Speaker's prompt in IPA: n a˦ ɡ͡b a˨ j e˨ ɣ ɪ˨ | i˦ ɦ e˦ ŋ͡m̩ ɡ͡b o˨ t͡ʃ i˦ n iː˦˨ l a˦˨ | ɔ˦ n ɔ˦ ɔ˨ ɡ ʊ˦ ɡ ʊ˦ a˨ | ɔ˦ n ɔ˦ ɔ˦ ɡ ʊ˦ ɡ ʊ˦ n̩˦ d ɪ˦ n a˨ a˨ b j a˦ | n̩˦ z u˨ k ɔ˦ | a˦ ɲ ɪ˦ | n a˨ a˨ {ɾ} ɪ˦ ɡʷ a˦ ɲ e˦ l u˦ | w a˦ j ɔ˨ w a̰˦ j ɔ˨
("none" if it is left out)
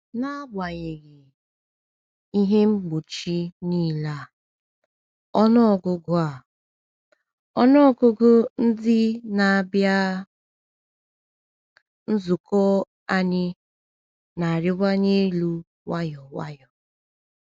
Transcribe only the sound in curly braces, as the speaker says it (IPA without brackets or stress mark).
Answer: ɾ